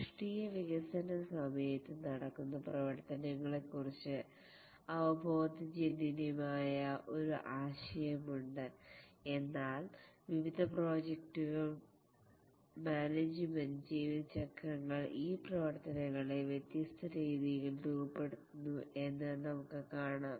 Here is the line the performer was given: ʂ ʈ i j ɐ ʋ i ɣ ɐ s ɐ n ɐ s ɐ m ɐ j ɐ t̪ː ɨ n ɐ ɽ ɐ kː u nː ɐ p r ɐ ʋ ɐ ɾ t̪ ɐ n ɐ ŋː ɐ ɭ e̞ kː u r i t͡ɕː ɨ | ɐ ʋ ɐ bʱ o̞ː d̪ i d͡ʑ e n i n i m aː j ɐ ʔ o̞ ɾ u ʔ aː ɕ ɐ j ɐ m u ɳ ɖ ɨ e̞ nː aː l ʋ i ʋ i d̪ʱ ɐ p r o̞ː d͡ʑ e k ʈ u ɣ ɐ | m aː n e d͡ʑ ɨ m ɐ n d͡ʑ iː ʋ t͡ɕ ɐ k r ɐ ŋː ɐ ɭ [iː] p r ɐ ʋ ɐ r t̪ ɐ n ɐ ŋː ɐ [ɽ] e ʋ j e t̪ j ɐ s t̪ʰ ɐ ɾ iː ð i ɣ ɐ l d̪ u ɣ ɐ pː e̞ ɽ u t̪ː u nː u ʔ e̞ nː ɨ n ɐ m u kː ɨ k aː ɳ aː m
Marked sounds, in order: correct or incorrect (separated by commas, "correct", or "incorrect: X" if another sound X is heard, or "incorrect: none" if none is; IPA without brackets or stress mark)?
correct, incorrect: ɭ